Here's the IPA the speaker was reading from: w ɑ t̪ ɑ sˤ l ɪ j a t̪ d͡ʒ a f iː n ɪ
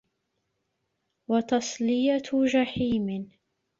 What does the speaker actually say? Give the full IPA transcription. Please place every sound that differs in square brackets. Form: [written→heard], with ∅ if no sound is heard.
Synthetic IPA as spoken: w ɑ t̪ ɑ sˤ l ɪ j a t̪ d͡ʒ a [f→ħ] iː [n→m] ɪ